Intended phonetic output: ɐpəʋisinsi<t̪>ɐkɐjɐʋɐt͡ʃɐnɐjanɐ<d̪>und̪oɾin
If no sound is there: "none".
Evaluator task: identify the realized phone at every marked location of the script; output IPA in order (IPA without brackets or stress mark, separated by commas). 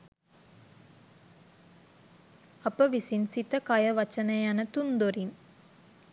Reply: t̪, t̪